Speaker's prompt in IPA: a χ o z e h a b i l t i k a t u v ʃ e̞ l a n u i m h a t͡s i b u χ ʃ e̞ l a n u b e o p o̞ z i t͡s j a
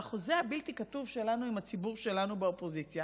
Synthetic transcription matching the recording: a χ o z e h a b i l t i k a t u v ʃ e̞ l a n u i m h a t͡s i b u ʁ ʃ e̞ l a n u b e o p o̞ z i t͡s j a